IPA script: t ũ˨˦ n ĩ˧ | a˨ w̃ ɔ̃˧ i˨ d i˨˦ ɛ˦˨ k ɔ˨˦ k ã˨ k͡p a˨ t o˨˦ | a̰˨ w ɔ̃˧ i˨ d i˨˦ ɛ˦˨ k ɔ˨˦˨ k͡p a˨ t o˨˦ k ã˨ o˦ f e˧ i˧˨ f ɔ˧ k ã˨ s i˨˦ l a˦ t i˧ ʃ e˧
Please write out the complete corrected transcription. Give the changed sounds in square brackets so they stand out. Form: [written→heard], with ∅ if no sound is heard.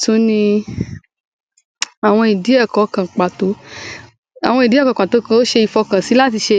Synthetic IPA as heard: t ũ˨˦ n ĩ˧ | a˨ w̃ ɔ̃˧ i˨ d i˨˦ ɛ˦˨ k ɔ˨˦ k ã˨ k͡p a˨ t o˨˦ | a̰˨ w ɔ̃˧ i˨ d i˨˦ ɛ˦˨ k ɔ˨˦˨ k͡p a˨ t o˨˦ k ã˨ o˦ [f→ʃ] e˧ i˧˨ f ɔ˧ k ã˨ s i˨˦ l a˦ t i˧ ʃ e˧

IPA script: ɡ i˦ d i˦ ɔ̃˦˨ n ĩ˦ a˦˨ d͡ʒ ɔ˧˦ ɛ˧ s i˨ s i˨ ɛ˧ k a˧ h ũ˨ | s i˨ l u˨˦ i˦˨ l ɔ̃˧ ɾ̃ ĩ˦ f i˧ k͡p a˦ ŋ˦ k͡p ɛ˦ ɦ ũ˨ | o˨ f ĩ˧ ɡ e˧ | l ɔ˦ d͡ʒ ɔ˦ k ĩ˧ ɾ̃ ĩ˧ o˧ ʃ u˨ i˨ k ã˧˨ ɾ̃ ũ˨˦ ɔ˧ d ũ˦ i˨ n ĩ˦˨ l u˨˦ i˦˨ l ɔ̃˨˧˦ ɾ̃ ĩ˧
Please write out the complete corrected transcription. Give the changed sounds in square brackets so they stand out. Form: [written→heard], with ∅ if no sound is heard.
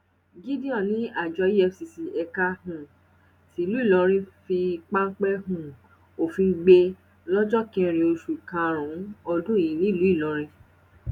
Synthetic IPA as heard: ɡ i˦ d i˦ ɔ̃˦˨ n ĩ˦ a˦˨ d͡ʒ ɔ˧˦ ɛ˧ s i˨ s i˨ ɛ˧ k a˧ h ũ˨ | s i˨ l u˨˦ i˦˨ l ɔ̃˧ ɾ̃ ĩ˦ f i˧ k͡p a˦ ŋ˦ k͡p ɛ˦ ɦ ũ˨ | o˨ f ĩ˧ [ɡ→ɡ͡b] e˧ | l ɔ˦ d͡ʒ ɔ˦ k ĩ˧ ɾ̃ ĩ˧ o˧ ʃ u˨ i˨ k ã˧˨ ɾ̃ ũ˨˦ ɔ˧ d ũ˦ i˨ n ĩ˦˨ l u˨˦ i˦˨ l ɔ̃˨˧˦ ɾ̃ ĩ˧

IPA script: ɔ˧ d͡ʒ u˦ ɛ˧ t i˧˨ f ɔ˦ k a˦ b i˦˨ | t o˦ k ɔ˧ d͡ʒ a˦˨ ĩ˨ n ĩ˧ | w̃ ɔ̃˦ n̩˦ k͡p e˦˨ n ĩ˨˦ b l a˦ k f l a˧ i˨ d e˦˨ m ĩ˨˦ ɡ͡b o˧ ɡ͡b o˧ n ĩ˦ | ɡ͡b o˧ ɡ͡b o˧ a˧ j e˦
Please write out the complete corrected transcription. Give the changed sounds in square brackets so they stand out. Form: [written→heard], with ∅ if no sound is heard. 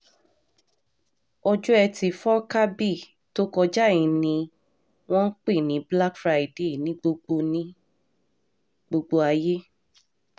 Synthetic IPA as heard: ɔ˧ d͡ʒ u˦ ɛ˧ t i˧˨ f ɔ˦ k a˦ b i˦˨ | t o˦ k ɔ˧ d͡ʒ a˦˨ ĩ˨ n ĩ˧ | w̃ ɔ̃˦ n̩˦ k͡p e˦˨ n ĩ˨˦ b l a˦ k f [l→ɾ] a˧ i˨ d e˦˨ [m→n] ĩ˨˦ ɡ͡b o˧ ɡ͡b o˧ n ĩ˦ | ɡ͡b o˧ ɡ͡b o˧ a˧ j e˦

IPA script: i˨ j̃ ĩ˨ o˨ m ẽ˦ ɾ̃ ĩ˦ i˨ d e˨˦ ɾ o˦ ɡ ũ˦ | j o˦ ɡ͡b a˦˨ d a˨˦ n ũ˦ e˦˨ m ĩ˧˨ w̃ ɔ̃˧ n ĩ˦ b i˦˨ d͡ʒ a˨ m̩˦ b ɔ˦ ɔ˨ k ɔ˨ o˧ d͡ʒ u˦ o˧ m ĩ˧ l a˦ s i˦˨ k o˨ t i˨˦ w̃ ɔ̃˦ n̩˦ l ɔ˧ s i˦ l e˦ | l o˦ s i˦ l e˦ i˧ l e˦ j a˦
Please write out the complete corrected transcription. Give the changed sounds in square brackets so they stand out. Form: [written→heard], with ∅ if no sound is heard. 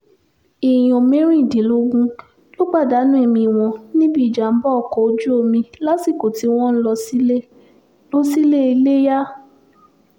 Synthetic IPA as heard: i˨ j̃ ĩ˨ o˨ m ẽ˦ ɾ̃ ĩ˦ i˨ d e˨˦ [ɾ→l] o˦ ɡ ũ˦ | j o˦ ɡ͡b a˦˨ d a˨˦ n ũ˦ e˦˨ m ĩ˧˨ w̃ ɔ̃˧ n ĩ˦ b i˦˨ d͡ʒ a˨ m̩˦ b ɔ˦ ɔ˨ k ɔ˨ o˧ d͡ʒ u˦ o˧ m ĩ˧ l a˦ s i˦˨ k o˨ t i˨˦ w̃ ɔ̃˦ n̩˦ l ɔ˧ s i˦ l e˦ | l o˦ s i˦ l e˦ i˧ l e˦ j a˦

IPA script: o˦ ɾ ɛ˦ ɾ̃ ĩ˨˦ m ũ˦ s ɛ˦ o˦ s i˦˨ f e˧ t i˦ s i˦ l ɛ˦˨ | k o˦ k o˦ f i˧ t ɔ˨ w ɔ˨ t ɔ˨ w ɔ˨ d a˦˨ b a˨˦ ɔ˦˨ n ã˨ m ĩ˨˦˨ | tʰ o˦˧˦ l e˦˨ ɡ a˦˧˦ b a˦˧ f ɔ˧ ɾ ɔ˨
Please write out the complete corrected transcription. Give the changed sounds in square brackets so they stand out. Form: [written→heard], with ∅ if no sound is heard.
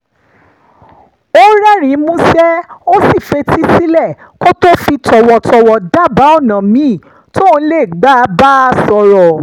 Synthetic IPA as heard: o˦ ɾ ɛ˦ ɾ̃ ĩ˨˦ m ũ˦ s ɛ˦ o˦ s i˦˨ f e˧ t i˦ s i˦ l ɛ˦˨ | k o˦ [k→t] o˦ f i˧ t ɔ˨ w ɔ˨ t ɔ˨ w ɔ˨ d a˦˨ b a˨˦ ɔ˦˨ n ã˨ m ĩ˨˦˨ | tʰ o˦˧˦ l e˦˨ [ɡ→ɡ͡b] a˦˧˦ b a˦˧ [f→s] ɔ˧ ɾ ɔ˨

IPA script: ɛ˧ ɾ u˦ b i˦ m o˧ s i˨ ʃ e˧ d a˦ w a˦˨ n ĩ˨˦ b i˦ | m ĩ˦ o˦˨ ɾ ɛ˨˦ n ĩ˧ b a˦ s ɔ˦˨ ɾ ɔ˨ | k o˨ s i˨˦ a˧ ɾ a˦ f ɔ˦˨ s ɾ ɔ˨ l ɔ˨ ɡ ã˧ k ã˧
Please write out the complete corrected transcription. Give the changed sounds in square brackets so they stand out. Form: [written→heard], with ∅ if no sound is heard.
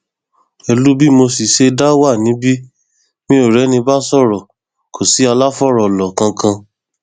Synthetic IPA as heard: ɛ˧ [ɾ→l] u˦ b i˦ m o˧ s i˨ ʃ e˧ d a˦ w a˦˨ n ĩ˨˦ b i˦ | m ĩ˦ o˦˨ ɾ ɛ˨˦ n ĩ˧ b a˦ s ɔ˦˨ ɾ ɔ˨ | k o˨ s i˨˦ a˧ [ɾ→l] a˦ f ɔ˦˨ [s→∅] ɾ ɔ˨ l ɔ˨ [ɡ→k] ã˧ k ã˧

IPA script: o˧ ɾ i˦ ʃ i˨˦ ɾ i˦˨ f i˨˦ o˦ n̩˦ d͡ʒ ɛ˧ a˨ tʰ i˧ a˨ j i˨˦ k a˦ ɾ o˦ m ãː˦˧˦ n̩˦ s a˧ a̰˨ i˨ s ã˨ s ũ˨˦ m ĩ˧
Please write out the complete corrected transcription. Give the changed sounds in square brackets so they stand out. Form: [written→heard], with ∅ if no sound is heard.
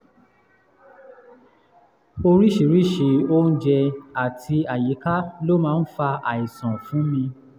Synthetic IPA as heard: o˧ ɾ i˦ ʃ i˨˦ ɾ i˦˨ [f→ʃ] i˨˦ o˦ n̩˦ d͡ʒ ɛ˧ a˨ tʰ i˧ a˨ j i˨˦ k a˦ [ɾ→l] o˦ m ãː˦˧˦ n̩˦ [s→f] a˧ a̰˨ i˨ s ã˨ [s→f] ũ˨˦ m ĩ˧

